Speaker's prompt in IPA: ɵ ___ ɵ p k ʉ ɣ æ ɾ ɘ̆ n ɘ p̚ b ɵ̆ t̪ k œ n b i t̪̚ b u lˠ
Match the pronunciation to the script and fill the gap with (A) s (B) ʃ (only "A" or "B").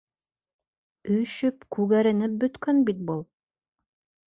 B